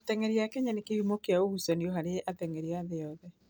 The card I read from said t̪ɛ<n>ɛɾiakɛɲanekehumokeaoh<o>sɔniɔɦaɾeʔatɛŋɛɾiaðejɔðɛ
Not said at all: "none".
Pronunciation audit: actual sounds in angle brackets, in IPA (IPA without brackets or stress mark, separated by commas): ŋ, u